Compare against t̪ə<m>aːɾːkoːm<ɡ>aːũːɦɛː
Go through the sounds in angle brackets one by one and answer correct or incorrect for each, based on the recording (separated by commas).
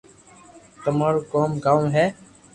correct, correct